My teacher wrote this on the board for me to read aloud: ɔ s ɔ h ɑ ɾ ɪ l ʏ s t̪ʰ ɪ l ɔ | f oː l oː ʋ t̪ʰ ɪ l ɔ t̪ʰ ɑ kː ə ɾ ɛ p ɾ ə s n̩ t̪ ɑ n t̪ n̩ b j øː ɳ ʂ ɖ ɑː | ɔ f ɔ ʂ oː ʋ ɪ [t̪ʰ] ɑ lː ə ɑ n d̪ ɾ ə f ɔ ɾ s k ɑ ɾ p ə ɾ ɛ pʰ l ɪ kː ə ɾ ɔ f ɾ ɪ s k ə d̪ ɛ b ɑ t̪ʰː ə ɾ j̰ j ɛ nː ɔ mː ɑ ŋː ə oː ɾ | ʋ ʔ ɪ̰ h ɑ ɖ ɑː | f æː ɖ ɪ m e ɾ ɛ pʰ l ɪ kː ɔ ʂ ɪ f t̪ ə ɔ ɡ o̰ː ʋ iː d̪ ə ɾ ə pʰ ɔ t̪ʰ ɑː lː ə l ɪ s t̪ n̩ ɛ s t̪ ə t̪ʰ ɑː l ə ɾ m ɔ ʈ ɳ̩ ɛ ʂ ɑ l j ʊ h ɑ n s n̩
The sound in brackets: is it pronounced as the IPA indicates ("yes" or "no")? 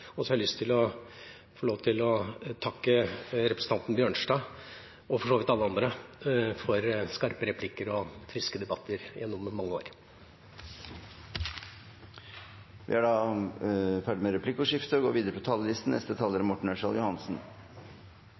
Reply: no